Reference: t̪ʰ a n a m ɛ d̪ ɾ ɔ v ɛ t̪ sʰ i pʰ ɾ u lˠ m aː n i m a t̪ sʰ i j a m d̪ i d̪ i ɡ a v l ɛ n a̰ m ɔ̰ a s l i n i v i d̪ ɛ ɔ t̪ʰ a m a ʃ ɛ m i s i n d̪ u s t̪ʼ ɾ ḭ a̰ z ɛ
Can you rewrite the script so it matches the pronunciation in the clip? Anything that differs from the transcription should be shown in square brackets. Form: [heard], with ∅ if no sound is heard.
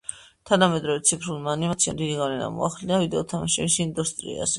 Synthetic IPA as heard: t̪ʰ a n a m ɛ d̪ ɾ ɔ v ɛ t̪ sʰ i pʰ ɾ u lˠ m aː n i m a t̪ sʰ i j a m d̪ i d̪ i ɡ a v l ɛ n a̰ m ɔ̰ a [χ] l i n [a] v i d̪ ɛ ɔ t̪ʰ a m a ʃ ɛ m i s i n d̪ u s t̪ʼ ɾ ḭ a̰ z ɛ